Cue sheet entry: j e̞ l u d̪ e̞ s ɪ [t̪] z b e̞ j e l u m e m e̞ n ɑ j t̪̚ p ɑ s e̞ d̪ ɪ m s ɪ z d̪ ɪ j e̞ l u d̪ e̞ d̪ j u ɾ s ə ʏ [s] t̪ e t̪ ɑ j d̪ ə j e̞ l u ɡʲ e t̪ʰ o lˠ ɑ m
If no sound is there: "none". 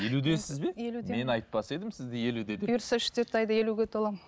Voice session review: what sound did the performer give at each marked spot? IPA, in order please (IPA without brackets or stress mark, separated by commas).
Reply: none, ʃ